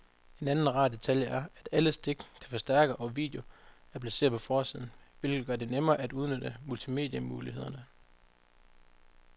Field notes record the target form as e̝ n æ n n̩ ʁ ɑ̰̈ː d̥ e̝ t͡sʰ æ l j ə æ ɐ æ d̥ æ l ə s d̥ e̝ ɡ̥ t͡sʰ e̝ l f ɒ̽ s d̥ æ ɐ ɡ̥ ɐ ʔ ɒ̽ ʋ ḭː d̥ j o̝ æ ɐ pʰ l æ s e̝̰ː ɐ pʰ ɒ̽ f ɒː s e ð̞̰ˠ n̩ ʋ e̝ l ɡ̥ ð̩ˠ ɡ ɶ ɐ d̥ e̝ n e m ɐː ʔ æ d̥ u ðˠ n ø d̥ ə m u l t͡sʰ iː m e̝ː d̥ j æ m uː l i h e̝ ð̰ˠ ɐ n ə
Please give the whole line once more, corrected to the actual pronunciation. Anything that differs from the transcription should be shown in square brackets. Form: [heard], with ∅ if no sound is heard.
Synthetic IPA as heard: e̝ n æ n n̩ ʁ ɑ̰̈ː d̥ e̝ t͡sʰ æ l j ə æ ɐ æ d̥ æ l ə s d̥ e̝ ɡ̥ t͡sʰ e̝ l f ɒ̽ s d̥ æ ɐ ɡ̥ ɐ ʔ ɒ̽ ʋ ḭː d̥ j o̝ æ ɐ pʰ l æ s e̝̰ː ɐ pʰ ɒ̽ f ɒː s [i] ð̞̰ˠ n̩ ʋ e̝ l ɡ̥ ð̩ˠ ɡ ɶ ɐ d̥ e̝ n e m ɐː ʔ æ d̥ u ðˠ n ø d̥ ə m u l t͡sʰ [i] m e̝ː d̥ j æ m uː l i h e̝ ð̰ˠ ɐ n ə